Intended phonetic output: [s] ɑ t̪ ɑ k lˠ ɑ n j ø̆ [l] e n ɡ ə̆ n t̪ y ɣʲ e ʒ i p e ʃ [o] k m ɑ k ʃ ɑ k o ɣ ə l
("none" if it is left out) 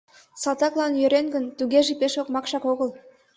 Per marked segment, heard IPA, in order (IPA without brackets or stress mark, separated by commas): s, ɾ, o